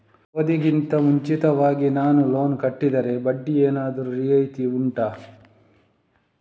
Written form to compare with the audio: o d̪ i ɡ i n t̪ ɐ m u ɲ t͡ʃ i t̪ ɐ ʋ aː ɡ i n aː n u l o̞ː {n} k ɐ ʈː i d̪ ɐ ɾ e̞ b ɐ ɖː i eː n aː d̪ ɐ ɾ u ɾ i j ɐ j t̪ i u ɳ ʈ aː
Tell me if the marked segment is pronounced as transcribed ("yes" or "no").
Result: yes